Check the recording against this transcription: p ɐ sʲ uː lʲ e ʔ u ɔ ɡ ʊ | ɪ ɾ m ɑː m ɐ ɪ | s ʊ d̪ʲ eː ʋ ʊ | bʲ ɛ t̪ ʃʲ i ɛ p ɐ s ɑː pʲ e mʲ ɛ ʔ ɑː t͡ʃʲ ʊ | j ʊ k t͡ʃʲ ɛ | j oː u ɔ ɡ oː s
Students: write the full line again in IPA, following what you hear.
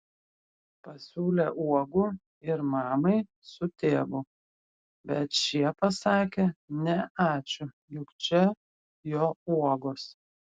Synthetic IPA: p ɐ sʲ uː lʲ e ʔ u ɔ ɡ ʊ | ɪ ɾ m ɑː m ɐ ɪ | s ʊ t̪ʲ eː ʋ ʊ | bʲ ɛ t̪ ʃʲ i ɛ p ɐ s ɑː kʲ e nʲ ɛ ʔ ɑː t͡ʃʲ ʊ | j ʊ k t͡ʃʲ ɛ | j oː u ɔ ɡ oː s

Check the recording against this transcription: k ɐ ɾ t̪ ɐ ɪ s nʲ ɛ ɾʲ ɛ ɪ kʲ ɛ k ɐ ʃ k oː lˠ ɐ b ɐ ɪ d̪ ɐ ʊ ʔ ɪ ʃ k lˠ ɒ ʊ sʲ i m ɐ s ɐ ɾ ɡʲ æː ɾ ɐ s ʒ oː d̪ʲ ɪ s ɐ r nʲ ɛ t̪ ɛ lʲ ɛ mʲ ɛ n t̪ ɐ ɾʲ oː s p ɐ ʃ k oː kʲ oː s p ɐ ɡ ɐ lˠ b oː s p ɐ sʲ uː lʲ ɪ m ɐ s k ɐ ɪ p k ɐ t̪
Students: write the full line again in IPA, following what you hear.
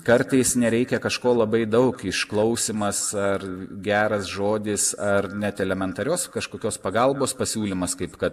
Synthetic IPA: k ɐ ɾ t̪ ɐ ɪ s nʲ ɛ ɾʲ ɛ ɪ kʲ ɛ k ɐ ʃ k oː lˠ ɐ b ɐ ɪ d̪ ɐ ʊ k ɪ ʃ k lˠ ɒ ʊ sʲ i m ɐ s ɐ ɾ ɡʲ æː ɾ ɐ s ʒ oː d̪ʲ ɪ s ɐ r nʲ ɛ t̪ ɛ lʲ ɛ mʲ ɛ n t̪ ɐ ɾʲ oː s k ɐ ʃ k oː kʲ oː s p ɐ ɡ ɐ lˠ b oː s p ɐ sʲ uː lʲ ɪ m ɐ s k ɐ ɪ p k ɐ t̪

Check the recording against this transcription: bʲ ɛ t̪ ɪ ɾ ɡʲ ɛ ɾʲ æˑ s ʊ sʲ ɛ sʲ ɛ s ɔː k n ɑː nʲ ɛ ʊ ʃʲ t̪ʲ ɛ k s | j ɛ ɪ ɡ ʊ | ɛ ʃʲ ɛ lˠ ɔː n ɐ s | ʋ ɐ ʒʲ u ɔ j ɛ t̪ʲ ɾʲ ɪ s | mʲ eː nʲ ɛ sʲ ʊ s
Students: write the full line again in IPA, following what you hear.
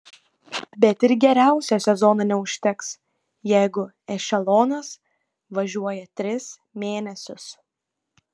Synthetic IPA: bʲ ɛ t̪ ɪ ɾ ɡʲ ɛ ɾʲ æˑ ʊ sʲ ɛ sʲ ɛ z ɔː n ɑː nʲ ɛ ʊ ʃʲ t̪ʲ ɛ k s | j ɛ ɪ ɡ ʊ | ɛ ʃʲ ɛ lˠ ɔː n ɐ s | ʋ ɐ ʒʲ u ɔ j ɛ t̪ʲ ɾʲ ɪ s | mʲ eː nʲ ɛ sʲ ʊ s

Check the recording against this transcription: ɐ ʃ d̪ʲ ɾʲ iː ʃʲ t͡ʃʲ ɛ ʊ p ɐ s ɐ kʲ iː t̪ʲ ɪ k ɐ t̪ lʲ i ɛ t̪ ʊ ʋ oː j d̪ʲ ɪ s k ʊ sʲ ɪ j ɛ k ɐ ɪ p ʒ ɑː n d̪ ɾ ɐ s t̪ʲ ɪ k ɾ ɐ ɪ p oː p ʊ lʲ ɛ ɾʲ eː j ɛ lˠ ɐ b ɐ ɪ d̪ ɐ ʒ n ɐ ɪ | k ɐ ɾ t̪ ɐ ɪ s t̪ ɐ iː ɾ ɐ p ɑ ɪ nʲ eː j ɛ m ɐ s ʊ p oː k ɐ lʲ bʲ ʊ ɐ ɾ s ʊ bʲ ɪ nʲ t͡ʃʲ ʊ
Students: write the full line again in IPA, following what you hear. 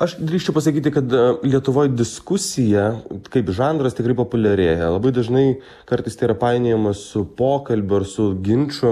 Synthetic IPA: ɐ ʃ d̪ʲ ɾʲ iː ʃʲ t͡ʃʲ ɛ ʊ p ɐ s ɐ kʲ iː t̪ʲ ɪ k ɐ t̪ lʲ i ɛ t̪ ʊ ʋ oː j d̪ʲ ɪ s k ʊ sʲ ɪ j ɛ k ɐ ɪ p ʒ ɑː n d̪ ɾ ɐ s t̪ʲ ɪ k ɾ ɐ ɪ p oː p ʊ lʲ ɛ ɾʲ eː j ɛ lˠ ɐ b ɐ ɪ d̪ ɐ ʒ n ɐ ɪ | k ɐ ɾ t̪ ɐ ɪ s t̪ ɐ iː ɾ ɐ p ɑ ɪ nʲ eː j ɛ m ɐ s ʊ p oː k ɐ lʲ bʲ ʊ ɐ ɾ s ʊ ɡʲ ɪ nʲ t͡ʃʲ ʊ

